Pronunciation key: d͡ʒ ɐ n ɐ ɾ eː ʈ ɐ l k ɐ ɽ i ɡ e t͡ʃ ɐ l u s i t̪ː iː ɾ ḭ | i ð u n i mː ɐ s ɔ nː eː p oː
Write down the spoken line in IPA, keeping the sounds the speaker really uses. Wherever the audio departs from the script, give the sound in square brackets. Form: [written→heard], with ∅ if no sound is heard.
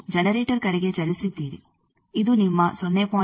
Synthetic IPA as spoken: d͡ʒ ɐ n ɐ ɾ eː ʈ ɐ [l→ɾ] k ɐ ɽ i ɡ e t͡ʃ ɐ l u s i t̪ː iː ɾ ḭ | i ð u n i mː ɐ s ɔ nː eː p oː